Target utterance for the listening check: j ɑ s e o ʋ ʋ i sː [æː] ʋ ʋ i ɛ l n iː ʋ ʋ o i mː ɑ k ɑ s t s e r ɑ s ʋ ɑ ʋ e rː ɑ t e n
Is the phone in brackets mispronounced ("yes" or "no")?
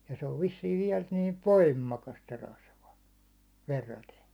yes